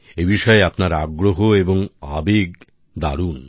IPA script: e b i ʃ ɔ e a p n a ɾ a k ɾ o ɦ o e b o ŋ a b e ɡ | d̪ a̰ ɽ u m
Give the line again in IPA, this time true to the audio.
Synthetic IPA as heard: e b i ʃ ɔ e a p n a ɾ a ɡ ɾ o ɦ o e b o ŋ a b e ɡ | d̪ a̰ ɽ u n